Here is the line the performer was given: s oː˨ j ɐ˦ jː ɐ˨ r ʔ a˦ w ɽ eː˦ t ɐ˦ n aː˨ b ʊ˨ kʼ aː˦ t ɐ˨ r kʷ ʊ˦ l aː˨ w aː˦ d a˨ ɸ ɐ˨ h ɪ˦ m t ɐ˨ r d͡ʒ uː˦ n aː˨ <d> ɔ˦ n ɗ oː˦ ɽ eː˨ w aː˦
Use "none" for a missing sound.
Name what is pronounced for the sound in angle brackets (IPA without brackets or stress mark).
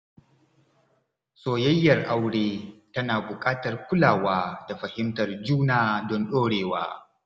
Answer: d